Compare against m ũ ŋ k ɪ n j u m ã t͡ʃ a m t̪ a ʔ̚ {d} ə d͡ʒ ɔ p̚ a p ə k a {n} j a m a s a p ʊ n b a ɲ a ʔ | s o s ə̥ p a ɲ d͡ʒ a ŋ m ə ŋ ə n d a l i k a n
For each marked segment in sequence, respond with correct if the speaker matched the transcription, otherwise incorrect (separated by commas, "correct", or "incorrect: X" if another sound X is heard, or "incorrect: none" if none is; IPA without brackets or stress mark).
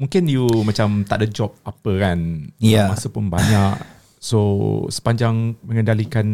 correct, correct